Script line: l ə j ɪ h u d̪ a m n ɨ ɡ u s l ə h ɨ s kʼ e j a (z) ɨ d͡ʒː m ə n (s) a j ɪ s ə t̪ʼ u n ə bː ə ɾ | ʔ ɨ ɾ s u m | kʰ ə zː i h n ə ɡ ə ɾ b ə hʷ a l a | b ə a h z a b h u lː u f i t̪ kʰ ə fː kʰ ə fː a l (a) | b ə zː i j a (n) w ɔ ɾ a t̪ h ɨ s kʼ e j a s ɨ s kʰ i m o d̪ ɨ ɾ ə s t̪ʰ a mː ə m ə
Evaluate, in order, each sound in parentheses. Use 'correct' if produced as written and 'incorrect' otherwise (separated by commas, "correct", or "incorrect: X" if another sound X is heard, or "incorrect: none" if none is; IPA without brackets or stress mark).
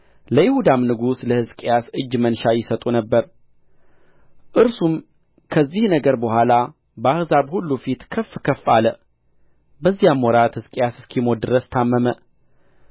incorrect: s, incorrect: ʃ, incorrect: ə, incorrect: m